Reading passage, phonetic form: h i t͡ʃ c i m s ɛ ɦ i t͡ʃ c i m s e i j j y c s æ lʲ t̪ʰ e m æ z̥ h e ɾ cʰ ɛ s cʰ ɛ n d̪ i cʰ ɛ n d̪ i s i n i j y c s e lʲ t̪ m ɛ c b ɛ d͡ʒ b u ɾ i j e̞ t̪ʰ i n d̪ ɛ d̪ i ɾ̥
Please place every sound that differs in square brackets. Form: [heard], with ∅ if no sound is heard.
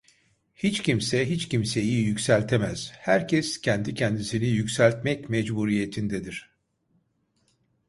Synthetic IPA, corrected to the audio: h i t͡ʃ c i m s ɛ ɦ i t͡ʃ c i m s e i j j y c s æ lʲ t̪ʰ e m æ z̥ h [æ] ɾ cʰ ɛ s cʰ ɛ n d̪ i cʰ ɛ n d̪ i s i n i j y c s [æ] lʲ t̪ m ɛ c [m] ɛ d͡ʒ b u ɾ i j e̞ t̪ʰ i n d̪ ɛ d̪ i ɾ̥